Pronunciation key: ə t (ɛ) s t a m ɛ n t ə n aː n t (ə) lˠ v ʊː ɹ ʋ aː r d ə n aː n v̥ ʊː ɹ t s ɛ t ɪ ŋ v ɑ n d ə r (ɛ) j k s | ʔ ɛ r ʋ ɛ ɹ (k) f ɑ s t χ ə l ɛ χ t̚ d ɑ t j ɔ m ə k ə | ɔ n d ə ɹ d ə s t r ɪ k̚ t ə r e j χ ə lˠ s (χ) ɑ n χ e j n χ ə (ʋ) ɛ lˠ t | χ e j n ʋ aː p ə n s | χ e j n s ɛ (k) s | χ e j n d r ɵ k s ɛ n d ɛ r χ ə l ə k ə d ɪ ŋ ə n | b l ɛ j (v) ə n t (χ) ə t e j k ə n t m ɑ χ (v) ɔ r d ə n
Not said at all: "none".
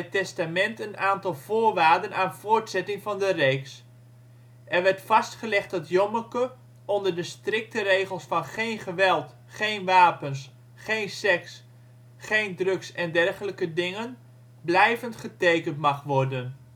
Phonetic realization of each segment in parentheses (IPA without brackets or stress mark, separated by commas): ɛ, ɑ, e, t, f, ʋ, k, v, χ, ʋ